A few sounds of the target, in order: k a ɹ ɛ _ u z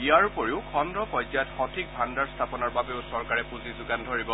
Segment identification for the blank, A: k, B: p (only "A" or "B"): B